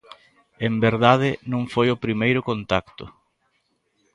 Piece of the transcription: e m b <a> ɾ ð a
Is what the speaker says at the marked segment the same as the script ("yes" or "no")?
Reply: no